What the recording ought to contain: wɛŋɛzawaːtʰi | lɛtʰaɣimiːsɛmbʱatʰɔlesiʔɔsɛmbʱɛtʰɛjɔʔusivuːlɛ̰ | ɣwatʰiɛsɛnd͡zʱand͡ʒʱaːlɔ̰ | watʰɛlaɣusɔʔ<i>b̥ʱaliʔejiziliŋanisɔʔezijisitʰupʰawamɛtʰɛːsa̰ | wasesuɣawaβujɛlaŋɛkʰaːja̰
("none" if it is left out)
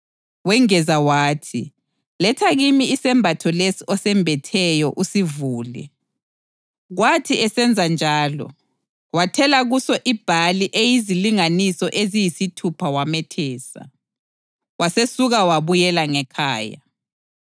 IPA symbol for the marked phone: i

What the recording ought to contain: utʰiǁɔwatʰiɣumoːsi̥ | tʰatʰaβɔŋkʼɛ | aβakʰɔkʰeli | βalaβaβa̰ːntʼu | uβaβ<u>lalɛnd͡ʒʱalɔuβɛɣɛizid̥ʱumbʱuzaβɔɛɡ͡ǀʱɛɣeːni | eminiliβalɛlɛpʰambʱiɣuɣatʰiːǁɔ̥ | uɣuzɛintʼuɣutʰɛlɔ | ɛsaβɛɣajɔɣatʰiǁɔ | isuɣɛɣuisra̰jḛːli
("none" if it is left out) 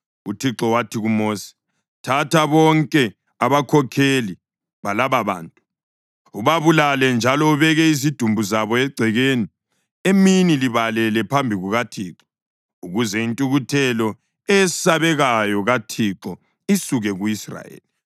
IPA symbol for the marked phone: u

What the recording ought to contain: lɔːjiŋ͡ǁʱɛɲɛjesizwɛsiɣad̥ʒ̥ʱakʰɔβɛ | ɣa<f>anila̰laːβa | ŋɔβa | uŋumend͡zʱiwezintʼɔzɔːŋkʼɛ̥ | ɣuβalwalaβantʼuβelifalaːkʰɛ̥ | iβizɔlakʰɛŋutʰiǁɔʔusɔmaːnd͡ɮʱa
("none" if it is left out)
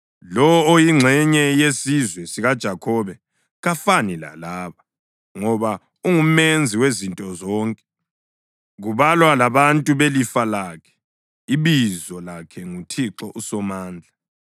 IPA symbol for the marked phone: f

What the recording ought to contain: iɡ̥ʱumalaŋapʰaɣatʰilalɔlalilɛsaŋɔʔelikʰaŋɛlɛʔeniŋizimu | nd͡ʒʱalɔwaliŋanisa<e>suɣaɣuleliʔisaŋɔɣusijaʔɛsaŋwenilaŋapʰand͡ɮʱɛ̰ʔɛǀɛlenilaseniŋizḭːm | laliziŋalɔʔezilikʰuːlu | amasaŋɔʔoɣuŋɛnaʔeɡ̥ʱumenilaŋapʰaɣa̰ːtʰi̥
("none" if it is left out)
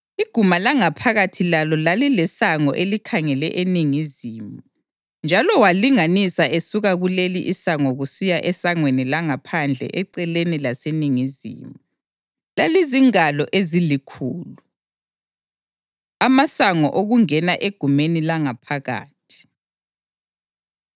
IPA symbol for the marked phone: e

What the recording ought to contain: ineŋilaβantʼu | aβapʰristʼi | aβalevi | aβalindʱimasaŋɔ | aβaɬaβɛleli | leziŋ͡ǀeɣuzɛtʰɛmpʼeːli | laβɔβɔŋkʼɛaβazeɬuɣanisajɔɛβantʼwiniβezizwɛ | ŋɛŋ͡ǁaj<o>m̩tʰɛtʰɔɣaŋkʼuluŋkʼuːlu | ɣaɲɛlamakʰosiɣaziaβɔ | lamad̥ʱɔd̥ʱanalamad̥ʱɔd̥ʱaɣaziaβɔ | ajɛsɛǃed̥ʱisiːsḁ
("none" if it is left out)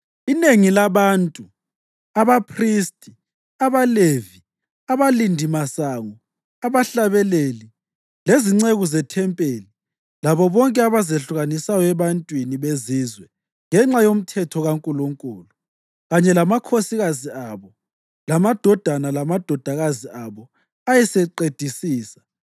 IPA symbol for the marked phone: o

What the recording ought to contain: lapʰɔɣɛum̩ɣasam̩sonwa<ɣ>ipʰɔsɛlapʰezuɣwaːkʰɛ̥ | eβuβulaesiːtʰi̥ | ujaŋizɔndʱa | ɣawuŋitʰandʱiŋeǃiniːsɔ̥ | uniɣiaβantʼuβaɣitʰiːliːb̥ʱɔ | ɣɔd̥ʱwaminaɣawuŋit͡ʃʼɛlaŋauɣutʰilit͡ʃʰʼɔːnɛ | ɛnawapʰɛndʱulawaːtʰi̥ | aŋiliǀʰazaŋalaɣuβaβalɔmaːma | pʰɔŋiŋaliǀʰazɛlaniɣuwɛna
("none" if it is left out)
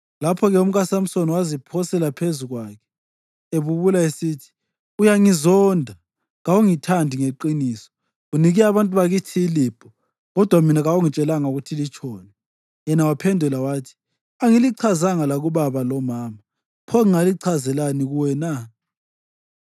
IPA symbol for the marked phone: z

